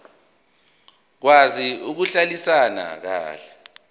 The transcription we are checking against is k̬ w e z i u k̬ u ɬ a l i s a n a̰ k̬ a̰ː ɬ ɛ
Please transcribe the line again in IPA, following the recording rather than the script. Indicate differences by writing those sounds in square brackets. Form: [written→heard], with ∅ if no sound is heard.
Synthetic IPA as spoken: k̬ w [e→a] z i u k̬ u ɬ a l i s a n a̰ k̬ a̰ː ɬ ɛ